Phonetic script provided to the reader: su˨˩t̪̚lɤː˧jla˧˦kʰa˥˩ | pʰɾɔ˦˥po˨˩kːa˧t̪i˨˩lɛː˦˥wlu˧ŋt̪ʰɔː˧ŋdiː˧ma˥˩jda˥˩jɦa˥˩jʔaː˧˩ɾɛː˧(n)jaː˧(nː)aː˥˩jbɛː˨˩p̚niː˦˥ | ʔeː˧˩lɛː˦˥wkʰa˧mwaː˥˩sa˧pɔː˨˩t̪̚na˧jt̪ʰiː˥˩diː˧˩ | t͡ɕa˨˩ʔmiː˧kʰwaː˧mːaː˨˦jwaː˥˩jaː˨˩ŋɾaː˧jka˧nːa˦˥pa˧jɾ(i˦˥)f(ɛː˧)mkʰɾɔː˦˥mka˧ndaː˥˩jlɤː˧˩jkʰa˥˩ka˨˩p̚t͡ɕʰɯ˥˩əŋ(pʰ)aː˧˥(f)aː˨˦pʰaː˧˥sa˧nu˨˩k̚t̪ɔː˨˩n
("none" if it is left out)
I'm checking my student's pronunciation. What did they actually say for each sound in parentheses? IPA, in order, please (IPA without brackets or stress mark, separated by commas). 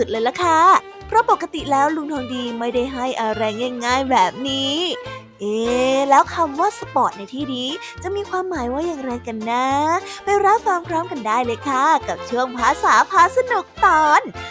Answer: ŋ, ŋː, a˦˥, aː˧, pʰ, s